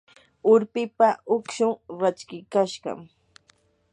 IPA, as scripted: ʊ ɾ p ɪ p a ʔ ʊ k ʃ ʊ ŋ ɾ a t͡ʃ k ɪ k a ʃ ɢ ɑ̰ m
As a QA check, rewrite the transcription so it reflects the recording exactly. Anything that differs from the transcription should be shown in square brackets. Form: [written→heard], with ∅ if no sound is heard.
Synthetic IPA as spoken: ʊ ɾ p ɪ p a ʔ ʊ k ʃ ʊ ŋ ɾ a t͡ʃ k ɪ k a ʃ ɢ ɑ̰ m